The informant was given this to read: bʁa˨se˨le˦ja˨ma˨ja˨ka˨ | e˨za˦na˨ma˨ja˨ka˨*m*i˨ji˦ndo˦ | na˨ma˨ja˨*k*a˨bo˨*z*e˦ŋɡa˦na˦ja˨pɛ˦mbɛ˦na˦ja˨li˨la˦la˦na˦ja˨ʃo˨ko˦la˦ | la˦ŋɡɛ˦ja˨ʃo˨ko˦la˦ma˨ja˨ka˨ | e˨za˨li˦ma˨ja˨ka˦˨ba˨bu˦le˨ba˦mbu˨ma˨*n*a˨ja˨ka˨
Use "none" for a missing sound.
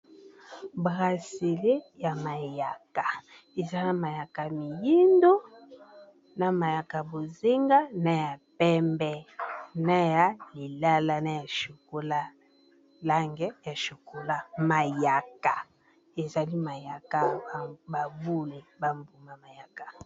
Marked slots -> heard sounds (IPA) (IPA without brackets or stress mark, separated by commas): m, k, z, m